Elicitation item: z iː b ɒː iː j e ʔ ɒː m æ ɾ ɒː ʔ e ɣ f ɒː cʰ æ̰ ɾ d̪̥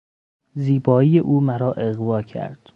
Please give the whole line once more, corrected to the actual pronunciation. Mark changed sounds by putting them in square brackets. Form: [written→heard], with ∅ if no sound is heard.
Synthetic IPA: z iː b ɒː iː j e ʔ [ɒː→uː] m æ ɾ ɒː ʔ e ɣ [f→v] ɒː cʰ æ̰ ɾ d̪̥